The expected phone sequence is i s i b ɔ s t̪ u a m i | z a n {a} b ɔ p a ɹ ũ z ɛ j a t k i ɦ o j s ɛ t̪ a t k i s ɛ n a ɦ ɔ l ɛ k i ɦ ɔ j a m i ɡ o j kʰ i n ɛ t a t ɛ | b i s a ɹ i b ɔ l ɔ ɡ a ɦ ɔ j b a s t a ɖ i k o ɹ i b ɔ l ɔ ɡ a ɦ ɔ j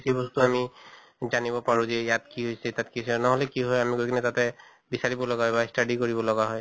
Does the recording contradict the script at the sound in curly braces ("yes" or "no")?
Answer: yes